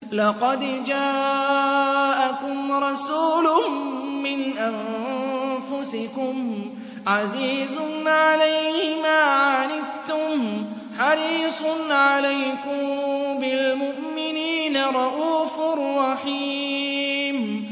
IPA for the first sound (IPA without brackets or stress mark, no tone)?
l